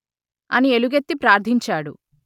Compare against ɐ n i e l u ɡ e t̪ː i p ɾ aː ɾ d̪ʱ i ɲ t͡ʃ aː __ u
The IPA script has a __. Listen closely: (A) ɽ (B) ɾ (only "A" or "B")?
A